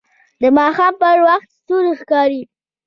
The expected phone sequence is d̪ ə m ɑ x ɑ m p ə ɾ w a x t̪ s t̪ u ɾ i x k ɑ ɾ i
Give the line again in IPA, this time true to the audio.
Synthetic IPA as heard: d̪ ə m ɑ x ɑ m p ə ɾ w a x t̪ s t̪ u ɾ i x k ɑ ɾ i